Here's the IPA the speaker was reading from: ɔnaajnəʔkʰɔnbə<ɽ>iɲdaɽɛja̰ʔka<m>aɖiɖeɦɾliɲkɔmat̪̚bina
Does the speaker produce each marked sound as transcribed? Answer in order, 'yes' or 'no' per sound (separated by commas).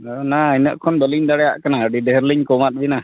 no, no